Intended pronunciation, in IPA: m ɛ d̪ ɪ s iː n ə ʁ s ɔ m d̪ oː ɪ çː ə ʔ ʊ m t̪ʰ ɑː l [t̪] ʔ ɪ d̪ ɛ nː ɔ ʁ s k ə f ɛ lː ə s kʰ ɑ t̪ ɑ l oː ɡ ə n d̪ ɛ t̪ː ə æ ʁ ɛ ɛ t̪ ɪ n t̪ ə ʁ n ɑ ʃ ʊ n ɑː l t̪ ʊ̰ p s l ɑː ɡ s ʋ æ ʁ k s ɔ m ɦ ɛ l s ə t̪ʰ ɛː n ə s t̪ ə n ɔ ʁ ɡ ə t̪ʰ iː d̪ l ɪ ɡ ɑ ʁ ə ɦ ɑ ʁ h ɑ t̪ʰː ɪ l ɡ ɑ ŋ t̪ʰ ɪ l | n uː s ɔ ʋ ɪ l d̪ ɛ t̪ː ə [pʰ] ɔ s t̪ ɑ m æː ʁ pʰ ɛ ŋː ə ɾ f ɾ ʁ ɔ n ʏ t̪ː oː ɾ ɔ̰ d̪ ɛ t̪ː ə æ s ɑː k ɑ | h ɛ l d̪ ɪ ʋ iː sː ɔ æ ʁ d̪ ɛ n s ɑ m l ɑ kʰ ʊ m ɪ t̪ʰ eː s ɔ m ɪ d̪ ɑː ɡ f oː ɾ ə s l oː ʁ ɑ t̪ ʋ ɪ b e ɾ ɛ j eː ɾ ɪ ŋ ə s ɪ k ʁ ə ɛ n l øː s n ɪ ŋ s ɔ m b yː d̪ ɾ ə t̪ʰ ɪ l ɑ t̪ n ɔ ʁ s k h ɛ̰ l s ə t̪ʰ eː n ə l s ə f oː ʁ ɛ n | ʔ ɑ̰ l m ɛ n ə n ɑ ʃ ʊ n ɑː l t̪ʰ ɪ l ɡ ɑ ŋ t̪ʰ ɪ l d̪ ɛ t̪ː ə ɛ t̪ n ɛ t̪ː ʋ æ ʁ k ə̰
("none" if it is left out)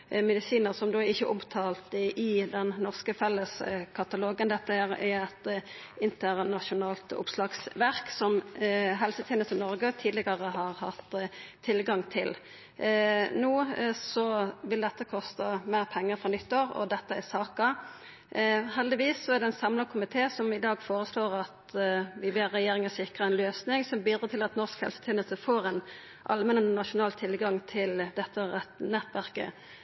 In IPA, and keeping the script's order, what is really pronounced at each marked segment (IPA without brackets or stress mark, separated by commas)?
t̪, kʰ